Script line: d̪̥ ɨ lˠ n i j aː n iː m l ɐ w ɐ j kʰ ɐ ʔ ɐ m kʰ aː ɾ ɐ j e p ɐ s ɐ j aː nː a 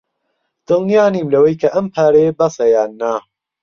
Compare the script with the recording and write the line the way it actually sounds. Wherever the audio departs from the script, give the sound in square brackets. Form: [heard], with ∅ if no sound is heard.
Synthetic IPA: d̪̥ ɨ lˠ n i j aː n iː m l ɐ w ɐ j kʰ ɐ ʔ ɐ m [pʰ] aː ɾ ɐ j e [b] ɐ s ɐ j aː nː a